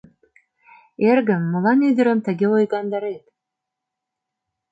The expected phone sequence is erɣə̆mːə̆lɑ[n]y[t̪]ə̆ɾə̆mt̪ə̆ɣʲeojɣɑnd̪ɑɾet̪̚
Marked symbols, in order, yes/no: yes, no

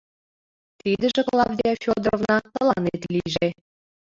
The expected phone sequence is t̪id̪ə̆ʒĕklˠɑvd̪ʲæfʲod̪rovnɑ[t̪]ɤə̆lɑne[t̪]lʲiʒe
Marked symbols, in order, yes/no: yes, yes

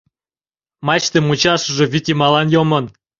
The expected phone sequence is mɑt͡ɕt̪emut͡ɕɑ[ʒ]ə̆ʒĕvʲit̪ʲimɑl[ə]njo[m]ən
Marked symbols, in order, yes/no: no, no, yes

